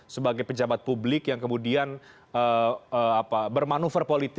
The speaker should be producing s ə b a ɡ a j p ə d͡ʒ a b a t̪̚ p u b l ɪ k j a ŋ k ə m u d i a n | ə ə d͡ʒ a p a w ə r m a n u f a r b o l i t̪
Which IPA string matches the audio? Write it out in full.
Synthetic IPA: s ə b a ɡ a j p ə d͡ʒ a b a t̪̚ p u b l ɪ k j a ŋ k ə m u d i a n | ə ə a p a b ə r m a n u f ə r p o l i t̪